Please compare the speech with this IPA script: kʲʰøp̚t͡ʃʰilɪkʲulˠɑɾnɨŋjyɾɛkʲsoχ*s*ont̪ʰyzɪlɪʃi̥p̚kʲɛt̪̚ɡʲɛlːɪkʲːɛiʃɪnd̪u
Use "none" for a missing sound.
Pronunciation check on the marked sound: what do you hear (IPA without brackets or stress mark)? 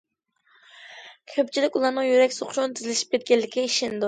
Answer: ʃ